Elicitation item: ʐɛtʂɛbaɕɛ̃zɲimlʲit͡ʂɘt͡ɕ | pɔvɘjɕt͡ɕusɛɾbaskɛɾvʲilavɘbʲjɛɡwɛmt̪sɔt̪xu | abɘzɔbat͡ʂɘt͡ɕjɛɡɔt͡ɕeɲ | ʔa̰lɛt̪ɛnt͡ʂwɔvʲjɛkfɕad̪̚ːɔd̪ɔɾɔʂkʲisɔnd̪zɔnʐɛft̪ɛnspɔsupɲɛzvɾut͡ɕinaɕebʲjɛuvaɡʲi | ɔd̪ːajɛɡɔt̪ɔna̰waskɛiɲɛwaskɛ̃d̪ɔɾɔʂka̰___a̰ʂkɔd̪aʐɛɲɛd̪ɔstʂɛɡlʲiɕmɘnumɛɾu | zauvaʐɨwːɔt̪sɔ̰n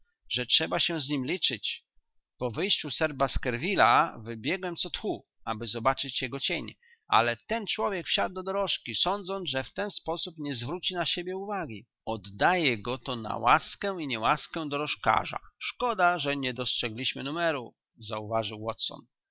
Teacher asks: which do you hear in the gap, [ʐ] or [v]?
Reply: ʐ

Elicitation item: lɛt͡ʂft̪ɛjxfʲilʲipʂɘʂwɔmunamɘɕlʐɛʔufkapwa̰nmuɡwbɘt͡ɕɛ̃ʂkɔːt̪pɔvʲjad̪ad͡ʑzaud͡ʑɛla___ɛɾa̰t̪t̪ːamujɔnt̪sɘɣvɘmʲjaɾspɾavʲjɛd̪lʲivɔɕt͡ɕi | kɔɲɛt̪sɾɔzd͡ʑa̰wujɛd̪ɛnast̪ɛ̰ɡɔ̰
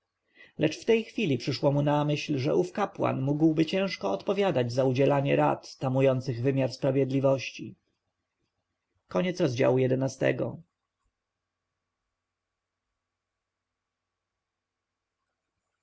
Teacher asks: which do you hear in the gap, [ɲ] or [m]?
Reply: ɲ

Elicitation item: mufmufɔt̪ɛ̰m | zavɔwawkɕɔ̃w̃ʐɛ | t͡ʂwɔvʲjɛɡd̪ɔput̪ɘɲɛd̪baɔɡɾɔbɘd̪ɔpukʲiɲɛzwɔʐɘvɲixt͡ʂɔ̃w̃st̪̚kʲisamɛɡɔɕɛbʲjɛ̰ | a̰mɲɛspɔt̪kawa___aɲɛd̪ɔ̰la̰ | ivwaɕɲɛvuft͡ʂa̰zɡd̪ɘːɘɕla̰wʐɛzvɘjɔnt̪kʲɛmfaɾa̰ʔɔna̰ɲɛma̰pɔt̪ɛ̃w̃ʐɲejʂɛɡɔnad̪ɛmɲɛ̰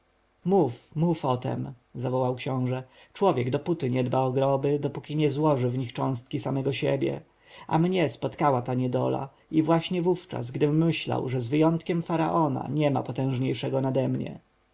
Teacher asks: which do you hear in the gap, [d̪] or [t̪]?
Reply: t̪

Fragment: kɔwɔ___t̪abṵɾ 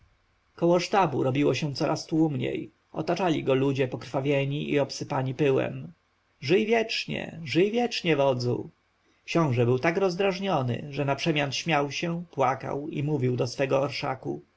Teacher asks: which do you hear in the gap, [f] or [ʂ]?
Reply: ʂ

